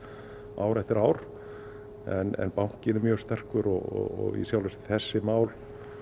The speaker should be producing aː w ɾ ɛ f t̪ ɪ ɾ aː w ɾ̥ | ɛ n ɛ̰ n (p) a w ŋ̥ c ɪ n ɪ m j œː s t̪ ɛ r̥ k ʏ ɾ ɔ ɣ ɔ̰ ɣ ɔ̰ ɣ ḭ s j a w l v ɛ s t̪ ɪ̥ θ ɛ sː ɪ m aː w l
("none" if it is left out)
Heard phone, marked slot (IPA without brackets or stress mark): p